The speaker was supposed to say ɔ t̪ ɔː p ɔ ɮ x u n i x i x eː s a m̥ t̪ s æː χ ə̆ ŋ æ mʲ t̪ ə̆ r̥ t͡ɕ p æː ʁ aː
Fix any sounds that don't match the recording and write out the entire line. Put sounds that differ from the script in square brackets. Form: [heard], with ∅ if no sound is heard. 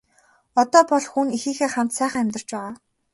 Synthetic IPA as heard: ɔ t̪ ɔː p ɔ ɮ x u n i x [iː] x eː [χ] a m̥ t̪ s æː χ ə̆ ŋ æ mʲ t̪ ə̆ r̥ t͡ɕ p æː ʁ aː

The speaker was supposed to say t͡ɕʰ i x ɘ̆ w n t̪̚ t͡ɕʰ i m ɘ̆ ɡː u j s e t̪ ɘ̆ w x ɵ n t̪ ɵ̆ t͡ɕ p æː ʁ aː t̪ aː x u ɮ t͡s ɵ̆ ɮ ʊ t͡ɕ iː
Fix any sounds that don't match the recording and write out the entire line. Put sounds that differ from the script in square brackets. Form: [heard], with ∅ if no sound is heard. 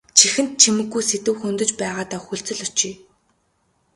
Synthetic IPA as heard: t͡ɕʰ i x ɘ̆ [∅] n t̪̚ t͡ɕʰ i m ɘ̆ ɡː u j s e t̪ ɘ̆ w x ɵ n t̪ ɵ̆ t͡ɕ p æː ʁ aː t̪ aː x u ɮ t͡s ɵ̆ ɮ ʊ t͡ɕ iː

